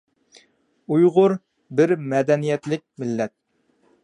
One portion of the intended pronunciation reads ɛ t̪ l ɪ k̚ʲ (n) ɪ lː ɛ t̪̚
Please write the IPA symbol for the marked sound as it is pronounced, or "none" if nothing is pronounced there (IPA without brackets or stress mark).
m